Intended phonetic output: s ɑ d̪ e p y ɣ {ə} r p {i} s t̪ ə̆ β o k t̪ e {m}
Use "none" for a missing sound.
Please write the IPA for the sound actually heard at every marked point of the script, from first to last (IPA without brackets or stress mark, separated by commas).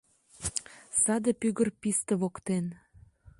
ə, i, n